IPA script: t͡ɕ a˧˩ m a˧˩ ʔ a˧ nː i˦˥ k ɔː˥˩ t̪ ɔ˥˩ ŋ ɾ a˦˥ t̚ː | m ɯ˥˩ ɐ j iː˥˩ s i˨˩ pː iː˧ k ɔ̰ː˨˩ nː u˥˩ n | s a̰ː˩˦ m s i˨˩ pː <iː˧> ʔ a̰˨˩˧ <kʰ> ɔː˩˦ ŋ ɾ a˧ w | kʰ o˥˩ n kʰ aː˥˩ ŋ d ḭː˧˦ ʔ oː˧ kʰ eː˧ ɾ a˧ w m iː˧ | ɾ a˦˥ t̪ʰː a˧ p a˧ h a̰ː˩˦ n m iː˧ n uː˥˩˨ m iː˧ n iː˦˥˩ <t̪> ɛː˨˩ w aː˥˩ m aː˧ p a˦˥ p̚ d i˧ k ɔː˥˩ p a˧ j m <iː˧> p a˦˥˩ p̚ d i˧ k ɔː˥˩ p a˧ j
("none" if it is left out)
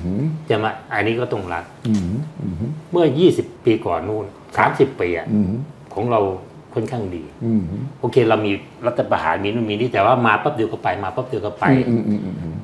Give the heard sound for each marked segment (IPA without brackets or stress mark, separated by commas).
iː˧, kʰ, t̪, aː˧